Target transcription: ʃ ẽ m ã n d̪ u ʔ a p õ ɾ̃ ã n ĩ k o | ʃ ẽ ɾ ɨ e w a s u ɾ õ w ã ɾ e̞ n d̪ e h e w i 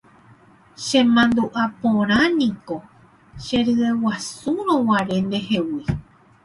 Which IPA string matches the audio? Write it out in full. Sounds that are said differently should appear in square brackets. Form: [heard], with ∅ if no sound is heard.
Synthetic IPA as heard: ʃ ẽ m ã n d̪ u ʔ a p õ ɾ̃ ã n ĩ k o | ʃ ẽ ɾ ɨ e w a s u ɾ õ w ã ɾ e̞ n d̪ e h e w i